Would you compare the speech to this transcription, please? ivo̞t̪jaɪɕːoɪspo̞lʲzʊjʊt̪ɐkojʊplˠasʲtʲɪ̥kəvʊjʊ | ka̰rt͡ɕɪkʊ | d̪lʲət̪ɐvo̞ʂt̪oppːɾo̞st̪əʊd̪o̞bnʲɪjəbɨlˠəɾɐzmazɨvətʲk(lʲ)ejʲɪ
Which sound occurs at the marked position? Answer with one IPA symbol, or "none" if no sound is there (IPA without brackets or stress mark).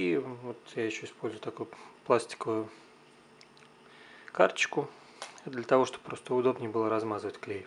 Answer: lʲ